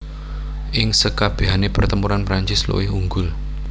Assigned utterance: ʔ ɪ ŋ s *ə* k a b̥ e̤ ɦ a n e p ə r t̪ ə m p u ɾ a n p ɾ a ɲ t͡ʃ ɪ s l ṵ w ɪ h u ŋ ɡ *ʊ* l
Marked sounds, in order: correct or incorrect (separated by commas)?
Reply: correct, correct